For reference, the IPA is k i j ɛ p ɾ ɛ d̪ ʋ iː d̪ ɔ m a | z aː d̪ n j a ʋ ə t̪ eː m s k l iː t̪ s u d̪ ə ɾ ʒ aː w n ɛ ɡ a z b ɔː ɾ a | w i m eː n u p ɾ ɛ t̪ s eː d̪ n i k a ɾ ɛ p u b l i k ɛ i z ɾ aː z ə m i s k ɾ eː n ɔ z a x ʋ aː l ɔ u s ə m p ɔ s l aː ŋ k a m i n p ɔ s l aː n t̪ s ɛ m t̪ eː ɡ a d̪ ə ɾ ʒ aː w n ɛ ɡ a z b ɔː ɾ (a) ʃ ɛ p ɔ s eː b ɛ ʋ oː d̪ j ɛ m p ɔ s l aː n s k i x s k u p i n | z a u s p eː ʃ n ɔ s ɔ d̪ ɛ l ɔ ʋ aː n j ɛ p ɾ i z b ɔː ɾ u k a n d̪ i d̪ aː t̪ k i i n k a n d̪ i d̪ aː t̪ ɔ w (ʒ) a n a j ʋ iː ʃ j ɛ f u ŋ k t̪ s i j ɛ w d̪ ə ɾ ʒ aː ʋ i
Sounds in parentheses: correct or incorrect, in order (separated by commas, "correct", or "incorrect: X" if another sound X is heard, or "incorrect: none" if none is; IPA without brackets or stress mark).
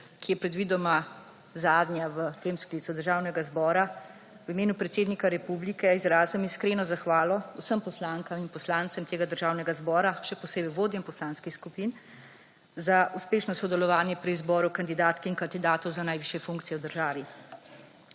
correct, incorrect: z